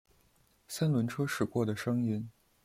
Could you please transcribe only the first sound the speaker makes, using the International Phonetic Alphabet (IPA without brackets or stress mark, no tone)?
s